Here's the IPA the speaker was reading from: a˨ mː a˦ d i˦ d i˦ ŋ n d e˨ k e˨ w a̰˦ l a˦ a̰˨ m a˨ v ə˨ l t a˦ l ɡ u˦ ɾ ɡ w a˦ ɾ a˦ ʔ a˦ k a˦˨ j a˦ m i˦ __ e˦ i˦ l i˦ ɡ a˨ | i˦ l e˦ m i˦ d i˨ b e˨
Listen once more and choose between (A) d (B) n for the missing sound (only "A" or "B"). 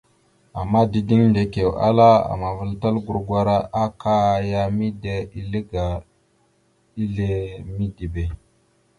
A